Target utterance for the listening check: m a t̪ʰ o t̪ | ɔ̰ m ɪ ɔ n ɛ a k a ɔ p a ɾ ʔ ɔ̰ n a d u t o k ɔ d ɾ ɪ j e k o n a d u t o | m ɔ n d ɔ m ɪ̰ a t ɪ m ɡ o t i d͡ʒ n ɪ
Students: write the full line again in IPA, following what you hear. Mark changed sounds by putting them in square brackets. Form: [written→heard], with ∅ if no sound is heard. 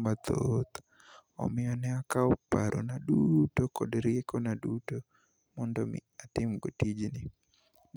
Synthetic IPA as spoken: m a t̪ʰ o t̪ | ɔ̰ m ɪ ɔ n ɛ a k a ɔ p a ɾ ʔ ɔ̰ n a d u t o k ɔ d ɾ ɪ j e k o n a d u t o | m ɔ n d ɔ m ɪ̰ a t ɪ m ɡ o t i d͡ʒ n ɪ